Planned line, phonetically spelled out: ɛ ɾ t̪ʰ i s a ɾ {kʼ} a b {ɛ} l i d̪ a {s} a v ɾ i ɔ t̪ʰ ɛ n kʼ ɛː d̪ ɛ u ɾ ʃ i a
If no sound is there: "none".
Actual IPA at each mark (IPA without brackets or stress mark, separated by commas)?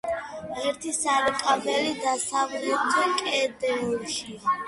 kʼ, ɛ, s